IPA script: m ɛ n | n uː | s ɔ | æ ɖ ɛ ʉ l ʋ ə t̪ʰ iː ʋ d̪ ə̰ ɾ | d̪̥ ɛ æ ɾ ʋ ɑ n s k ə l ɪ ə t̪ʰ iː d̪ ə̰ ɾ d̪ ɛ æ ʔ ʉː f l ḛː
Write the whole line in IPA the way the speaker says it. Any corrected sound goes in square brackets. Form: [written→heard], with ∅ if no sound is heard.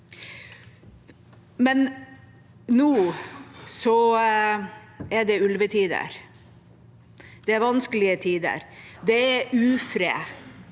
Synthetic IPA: m ɛ n | n uː | s ɔ | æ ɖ ɛ ʉ l ʋ ə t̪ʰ iː [ʋ→∅] d̪ ə̰ ɾ | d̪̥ ɛ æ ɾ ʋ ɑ n s k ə l ɪ ə t̪ʰ iː d̪ ə̰ ɾ d̪ ɛ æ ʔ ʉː f [l→ɾ] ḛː